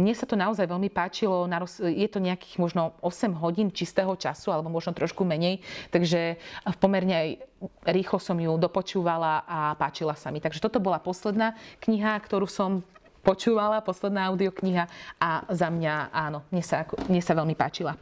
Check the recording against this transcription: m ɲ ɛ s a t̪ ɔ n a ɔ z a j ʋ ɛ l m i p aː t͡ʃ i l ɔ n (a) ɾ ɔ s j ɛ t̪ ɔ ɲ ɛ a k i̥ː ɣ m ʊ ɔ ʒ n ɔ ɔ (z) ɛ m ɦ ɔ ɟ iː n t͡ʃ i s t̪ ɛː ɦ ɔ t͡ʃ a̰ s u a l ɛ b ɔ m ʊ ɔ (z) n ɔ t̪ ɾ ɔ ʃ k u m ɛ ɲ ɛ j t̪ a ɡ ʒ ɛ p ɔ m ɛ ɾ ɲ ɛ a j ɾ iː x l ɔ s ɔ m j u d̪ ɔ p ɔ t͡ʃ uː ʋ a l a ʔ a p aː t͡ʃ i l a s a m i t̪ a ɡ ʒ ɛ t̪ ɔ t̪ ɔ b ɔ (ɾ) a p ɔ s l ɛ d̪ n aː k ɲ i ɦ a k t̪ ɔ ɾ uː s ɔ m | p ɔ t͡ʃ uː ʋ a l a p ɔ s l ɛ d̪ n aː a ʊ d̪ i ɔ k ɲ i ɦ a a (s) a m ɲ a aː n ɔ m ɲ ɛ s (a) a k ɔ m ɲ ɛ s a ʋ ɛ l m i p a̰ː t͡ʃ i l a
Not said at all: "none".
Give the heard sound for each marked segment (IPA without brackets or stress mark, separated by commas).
a, s, ʒ, l, z, a